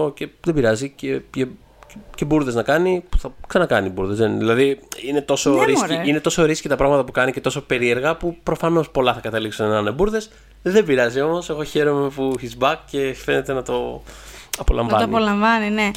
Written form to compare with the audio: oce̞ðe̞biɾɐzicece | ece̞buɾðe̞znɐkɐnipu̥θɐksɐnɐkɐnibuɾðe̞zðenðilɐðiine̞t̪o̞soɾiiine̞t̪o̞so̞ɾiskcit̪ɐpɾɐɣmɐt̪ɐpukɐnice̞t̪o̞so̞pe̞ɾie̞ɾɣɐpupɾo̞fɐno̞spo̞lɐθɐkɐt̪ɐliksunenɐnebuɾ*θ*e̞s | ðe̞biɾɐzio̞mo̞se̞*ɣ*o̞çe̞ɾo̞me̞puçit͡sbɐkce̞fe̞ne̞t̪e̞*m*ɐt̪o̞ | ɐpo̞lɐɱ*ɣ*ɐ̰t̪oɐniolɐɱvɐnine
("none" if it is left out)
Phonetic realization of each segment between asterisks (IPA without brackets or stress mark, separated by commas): ð, ɣ, n, v